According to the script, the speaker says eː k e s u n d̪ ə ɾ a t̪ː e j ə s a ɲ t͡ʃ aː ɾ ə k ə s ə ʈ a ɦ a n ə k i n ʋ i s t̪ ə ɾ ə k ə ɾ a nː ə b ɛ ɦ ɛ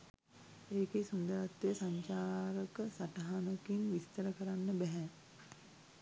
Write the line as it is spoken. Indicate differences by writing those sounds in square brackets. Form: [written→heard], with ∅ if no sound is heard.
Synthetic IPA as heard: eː k e s u n d̪ ə ɾ a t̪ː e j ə s a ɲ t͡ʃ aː ɾ ə k ə s [ə→a] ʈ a ɦ a n ə k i n ʋ i s t̪ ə ɾ ə k ə ɾ a nː ə b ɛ ɦ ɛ